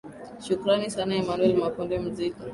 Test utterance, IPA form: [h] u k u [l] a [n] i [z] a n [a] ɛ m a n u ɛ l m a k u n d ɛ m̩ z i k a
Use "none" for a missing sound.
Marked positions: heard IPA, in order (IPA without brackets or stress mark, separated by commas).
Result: ʃ, ɾ, n, s, a